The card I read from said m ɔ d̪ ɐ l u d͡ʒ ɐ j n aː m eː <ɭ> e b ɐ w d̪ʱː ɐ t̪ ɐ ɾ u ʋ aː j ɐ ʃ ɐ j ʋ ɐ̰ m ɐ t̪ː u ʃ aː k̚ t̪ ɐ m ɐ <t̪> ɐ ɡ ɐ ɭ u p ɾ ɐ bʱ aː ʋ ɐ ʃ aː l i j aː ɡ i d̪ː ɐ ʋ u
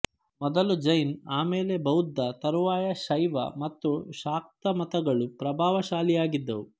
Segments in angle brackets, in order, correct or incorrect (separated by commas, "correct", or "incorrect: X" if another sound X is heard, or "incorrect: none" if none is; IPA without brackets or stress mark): incorrect: l, correct